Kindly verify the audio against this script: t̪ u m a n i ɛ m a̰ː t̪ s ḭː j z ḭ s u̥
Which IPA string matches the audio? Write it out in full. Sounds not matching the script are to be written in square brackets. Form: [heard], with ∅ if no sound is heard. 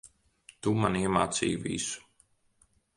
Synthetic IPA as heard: t̪ u m a n i ɛ m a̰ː t̪ s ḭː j [v] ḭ s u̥